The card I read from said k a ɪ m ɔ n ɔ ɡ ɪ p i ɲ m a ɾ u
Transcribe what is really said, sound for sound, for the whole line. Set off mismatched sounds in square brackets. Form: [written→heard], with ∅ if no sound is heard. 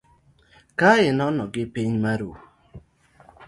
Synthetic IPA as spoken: k a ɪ [m→n] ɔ n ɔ ɡ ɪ p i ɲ m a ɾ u